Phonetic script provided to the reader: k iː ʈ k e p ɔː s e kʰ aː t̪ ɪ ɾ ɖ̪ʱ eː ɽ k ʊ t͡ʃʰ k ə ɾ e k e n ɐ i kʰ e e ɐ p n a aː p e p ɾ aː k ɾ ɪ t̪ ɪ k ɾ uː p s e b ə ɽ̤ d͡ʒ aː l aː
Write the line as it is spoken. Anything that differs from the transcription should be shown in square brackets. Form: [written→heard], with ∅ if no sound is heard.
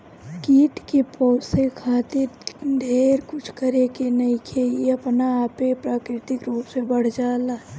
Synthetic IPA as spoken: k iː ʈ k e p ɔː s e kʰ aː t̪ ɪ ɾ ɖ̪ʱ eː [ɽ→ɾ] k ʊ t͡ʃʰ k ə ɾ e k e n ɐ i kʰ e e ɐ p n a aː p e p ɾ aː k ɾ ɪ t̪ ɪ k ɾ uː p s e b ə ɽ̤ d͡ʒ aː l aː